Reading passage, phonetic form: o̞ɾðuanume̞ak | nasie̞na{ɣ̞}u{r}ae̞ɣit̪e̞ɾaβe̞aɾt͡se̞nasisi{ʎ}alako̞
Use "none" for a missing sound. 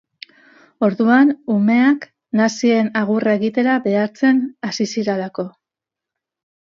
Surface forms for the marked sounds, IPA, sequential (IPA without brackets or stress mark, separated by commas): ɣ̞, r, ɾ